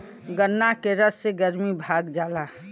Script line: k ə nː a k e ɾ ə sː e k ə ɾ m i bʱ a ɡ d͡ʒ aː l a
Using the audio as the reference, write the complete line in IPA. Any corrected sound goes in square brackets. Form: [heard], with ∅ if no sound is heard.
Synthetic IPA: [ɡ] ə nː a k e ɾ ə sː e [ɡ] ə ɾ m i bʱ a ɡ d͡ʒ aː l a